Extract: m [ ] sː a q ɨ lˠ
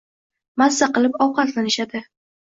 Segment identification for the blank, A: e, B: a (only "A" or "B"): B